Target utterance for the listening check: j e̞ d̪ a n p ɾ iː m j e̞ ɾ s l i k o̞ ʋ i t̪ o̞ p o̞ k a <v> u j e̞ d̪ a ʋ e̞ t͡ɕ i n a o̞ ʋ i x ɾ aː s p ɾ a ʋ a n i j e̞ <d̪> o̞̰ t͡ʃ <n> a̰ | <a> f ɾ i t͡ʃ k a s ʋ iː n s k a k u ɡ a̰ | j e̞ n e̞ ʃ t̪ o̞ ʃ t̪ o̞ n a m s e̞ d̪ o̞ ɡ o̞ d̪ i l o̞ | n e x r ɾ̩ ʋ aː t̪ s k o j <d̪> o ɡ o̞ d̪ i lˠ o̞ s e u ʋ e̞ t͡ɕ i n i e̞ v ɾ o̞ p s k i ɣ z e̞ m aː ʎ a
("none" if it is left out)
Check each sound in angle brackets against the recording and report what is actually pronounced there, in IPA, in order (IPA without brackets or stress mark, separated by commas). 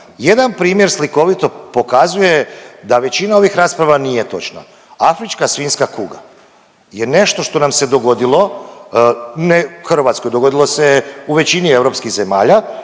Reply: z, t̪, n, a, d̪